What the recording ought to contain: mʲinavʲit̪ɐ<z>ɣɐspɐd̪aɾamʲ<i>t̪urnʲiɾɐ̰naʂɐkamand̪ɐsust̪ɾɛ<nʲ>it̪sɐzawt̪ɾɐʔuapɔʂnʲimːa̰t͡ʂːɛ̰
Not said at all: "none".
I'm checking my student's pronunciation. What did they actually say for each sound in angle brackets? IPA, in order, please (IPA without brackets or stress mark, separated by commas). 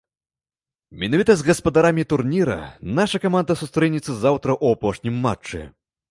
z, i, nʲ